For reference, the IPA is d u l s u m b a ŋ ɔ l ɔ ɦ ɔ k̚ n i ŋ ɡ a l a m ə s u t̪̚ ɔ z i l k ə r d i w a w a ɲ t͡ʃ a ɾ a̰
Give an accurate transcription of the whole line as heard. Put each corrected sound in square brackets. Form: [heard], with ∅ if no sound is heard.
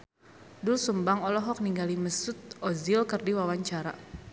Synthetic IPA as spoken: d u l s u m b a ŋ ɔ l ɔ ɦ ɔ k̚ n i ŋ ɡ a l [i] m ə s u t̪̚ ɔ z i l k ə r d i w a w a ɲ t͡ʃ a ɾ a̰